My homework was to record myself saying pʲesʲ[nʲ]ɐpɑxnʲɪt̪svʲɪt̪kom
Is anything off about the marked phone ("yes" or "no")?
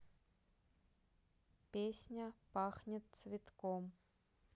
no